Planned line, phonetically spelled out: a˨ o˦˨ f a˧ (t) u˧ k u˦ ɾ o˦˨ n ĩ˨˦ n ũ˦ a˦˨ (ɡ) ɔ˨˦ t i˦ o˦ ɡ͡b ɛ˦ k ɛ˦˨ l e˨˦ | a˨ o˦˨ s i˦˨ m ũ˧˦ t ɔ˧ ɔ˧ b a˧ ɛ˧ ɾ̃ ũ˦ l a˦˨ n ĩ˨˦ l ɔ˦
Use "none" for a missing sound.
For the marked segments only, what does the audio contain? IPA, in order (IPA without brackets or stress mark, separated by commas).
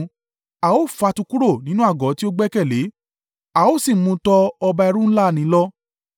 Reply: t, ɡ